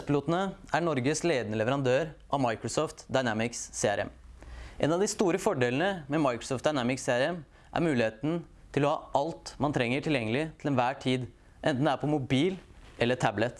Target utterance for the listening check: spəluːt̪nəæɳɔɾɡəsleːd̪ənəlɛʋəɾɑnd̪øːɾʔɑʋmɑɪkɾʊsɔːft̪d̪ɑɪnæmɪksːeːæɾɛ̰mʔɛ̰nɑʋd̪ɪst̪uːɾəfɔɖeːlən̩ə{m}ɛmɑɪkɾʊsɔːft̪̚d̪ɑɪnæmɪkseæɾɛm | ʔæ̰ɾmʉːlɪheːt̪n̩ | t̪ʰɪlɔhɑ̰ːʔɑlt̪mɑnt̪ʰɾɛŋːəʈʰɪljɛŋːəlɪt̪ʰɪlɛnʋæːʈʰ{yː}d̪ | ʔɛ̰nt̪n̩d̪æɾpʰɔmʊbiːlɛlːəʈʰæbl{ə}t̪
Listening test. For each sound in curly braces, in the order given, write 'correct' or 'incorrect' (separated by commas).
correct, incorrect, correct